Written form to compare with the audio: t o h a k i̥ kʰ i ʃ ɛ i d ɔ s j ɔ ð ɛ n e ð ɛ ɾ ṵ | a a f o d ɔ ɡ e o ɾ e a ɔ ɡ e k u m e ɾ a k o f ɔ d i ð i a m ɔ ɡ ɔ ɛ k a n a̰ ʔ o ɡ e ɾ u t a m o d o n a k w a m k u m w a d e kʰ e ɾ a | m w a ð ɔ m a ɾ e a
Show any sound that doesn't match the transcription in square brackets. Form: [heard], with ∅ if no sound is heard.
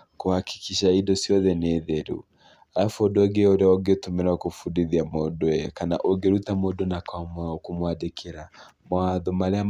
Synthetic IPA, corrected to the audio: [k] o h a k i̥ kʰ i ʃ [a] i d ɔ s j ɔ ð ɛ n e ð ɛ ɾ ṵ | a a f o d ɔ ɡ e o ɾ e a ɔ ɡ e [t] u m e ɾ a k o f [u] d i ð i a m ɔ [d] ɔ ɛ k a n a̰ ʔ o ɡ e ɾ u t a m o d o n a k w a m k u m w a d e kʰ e ɾ a | m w a ð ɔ m a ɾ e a